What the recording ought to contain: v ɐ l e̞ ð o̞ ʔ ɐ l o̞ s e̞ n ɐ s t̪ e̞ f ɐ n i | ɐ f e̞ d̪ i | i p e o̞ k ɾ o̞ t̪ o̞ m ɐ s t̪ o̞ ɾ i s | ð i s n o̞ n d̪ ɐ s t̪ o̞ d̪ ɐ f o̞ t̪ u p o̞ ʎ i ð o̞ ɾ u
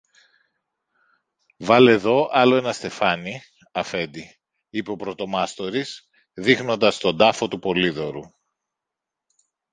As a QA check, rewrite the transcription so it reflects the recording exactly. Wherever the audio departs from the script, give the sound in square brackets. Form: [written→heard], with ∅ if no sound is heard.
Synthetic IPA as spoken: v ɐ l e̞ ð o̞ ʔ ɐ l o̞ [s→∅] e̞ n ɐ s t̪ e̞ f ɐ n i | ɐ f e̞ d̪ i | i p e o̞ [k→p] ɾ o̞ t̪ o̞ m ɐ s t̪ o̞ ɾ i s | ð i [s→x] n o̞ n d̪ ɐ s t̪ o̞ d̪ ɐ f o̞ t̪ u p o̞ [ʎ→l] i ð o̞ ɾ u